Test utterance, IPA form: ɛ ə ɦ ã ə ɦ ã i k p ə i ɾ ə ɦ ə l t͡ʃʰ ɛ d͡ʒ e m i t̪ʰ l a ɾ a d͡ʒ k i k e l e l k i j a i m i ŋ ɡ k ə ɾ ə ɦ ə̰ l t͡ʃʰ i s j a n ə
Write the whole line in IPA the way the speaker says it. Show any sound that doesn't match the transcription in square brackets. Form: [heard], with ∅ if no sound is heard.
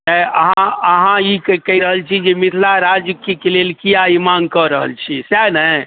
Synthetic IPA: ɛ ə ɦ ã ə ɦ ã i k [k] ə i ɾ ə ɦ ə l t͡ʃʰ [i] d͡ʒ e m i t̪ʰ l a ɾ a d͡ʒ k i k e l e l k i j a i m [a] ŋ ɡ k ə ɾ ə ɦ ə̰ l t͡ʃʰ i s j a n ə